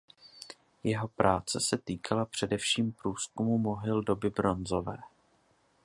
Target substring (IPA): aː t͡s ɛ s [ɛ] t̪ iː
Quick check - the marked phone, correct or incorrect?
correct